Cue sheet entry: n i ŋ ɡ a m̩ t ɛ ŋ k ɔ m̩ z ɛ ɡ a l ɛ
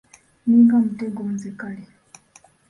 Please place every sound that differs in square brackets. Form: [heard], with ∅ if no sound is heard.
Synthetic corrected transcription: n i ŋ ɡ a m̩ t ɛ ŋ [ɡ] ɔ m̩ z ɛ [k] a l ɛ